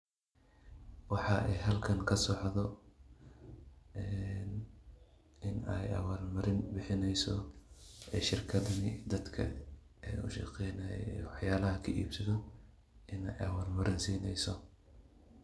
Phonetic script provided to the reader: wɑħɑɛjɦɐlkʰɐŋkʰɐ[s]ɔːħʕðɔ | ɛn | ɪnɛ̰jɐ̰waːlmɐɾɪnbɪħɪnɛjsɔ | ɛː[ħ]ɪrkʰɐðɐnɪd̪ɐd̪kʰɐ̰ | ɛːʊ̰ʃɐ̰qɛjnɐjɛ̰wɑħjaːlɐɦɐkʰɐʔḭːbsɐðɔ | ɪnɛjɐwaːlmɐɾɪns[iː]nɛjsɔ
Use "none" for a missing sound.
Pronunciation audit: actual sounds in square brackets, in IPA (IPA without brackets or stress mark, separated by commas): s, ʃ, iː